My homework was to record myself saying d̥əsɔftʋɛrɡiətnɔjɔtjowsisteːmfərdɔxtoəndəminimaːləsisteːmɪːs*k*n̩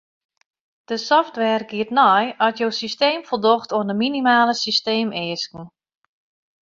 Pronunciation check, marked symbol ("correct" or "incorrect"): correct